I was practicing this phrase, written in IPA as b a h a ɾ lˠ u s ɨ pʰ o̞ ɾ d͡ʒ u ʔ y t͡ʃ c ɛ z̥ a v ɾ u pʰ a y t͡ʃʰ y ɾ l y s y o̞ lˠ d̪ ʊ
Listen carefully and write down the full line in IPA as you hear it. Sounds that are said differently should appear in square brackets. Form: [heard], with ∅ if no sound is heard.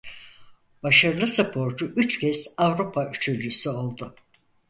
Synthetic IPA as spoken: b a [ʃ] a ɾ lˠ [ɯ] s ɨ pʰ o̞ ɾ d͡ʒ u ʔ y t͡ʃ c ɛ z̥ a v ɾ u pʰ a y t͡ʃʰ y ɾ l y s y o̞ lˠ d̪ ʊ